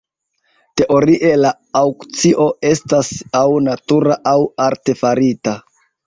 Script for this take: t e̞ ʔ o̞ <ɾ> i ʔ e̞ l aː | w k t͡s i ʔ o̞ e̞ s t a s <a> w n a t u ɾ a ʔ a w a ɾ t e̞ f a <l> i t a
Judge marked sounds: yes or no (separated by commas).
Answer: yes, yes, no